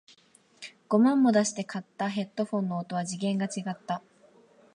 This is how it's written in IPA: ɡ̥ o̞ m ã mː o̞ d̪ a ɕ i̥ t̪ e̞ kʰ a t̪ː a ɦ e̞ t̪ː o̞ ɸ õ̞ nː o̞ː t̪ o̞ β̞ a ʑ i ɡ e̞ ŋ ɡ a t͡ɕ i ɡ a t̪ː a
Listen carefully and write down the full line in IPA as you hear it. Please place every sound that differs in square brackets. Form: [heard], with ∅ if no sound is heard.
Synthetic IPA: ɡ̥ o̞ m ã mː o̞ d̪ a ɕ i̥ t̪ e̞ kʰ a t̪ː a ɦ e̞ t̪ː o̞ ɸ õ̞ nː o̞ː t̪ o̞ β̞ a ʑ i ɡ [ẽ̞] ŋ ɡ a t͡ɕ i ɡ a t̪ː a